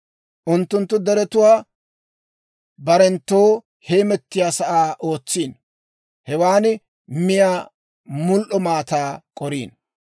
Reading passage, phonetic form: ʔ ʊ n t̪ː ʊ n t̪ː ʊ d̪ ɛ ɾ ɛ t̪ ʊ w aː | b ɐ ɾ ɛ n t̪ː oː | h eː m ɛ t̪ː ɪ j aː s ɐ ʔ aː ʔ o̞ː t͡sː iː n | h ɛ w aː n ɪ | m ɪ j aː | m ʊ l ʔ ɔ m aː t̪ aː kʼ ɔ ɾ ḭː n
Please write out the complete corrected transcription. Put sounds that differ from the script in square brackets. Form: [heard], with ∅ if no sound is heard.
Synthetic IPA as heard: ʔ ʊ n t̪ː ʊ n t̪ː ʊ d̪ ɛ ɾ ɛ t̪ ʊ w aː | b ɐ ɾ ɛ n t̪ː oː | h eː m ɛ t̪ː ɪ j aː s ɐ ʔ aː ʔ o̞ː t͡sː iː n | h ɛ w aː n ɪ | m ɪ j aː | m ʊ l ʔ ɔ m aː t̪ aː kʼ ɔ ɾ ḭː n